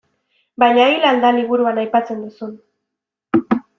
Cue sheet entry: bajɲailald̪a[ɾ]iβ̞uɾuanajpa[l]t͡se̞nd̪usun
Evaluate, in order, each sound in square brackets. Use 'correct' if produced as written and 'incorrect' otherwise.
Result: incorrect, incorrect

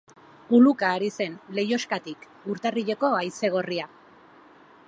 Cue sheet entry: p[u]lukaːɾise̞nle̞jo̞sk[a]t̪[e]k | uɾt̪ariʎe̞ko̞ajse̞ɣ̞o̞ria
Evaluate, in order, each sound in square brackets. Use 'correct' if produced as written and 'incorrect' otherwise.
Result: correct, correct, incorrect

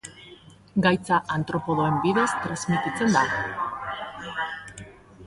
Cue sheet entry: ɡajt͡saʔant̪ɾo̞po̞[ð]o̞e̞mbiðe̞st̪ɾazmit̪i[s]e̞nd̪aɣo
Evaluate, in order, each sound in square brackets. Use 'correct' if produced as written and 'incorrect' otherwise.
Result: correct, incorrect

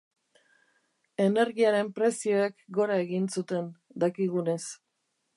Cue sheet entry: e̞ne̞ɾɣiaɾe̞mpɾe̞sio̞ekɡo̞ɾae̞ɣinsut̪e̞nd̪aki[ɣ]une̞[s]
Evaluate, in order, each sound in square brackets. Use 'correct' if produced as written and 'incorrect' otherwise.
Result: correct, correct

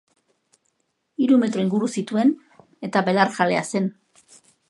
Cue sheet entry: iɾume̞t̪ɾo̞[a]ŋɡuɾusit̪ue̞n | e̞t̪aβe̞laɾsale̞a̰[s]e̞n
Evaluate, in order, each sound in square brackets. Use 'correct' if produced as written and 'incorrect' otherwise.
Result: incorrect, correct

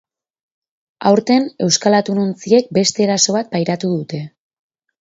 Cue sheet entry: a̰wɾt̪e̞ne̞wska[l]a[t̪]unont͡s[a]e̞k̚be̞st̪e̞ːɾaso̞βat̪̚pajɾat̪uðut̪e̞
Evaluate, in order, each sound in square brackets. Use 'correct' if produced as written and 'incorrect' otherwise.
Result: correct, correct, incorrect

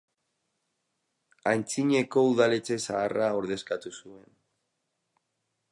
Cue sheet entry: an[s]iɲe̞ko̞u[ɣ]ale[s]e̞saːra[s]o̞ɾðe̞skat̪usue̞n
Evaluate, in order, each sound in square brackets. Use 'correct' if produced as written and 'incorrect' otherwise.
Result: incorrect, incorrect, incorrect, incorrect

